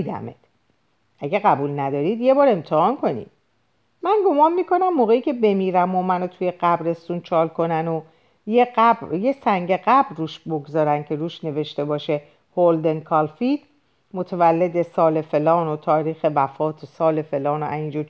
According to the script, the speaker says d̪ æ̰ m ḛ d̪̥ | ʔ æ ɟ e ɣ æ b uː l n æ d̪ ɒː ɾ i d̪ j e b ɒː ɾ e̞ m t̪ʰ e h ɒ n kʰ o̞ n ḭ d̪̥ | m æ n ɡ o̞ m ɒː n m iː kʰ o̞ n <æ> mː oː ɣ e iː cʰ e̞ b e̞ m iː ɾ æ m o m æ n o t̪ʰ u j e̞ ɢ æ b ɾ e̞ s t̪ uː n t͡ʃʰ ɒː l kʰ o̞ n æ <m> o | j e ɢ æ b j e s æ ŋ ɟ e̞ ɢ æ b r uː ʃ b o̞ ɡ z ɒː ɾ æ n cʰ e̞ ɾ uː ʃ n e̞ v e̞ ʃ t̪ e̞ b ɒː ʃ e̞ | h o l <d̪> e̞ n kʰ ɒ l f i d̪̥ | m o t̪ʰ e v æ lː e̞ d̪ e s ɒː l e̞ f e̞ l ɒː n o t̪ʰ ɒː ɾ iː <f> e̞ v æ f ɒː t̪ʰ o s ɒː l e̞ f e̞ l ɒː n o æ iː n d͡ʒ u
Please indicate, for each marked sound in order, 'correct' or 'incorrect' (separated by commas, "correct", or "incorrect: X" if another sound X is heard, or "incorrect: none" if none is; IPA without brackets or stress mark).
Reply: correct, incorrect: n, correct, incorrect: x